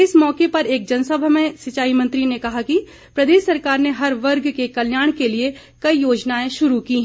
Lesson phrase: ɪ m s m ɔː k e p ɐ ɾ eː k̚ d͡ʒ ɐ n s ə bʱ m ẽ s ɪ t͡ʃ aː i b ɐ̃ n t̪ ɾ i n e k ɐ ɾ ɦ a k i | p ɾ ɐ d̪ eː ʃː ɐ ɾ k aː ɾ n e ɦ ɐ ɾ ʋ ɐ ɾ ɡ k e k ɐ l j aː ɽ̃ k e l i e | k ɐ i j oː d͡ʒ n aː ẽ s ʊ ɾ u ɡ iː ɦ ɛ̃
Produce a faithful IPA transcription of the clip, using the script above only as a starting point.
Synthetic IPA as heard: ɪ s m ɔː k e p ɐ ɾ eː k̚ d͡ʒ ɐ n s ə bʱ m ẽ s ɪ t͡ʃ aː i m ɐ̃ n t̪ ɾ i n e k ɐ ɦ a k i | p ɾ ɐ d̪ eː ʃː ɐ ɾ k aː ɾ n e ɦ ɐ ɾ ʋ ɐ ɾ ɡ k e k ɐ l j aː ɽ̃ k e l i e | k ɐ i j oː d͡ʒ n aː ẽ ʃ ʊ ɾ u k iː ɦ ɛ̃